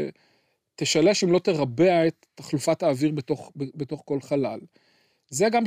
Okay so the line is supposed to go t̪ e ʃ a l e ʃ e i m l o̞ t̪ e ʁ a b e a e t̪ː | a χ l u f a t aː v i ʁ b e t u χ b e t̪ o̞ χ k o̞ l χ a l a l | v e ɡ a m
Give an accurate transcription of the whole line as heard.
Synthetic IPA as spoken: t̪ e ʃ a l e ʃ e i m l o̞ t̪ e ʁ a b e a e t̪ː | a χ l u f a t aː v i ʁ b e t o χ b e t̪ o̞ χ k o̞ l χ a l a l | z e ɡ a m